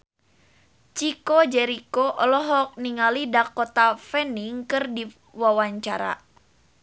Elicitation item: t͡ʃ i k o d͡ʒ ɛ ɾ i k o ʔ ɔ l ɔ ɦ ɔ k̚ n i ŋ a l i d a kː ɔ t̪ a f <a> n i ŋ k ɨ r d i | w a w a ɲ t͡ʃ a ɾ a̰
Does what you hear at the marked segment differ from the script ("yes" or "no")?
yes